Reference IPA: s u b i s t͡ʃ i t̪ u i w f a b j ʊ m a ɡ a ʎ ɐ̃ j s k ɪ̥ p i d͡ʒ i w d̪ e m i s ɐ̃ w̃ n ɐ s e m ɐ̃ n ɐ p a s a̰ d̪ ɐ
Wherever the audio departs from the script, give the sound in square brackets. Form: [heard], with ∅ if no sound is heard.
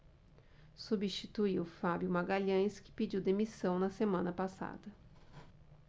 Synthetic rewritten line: s u b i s t͡ʃ i t̪ u i w f a b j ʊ m a ɡ a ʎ ɐ̃ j s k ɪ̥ p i d͡ʒ i w d̪ e m i s ɐ̃ w̃ n ɐ s e m ɐ̃ n ɐ p a s a̰ d̪ ɐ